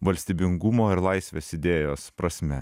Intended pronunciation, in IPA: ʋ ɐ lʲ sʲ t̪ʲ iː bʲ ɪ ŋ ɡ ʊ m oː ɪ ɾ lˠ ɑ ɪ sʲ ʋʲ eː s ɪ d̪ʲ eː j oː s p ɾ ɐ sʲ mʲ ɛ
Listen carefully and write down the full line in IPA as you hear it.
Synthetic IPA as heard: ʋ ɐ lʲ sʲ t̪ʲ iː bʲ ɪ ŋ ɡ ʊ m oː ɪ ɾ lˠ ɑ ɪ sʲ ʋʲ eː s ɪ d̪ʲ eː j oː s p ɾ ɐ sʲ mʲ ɛ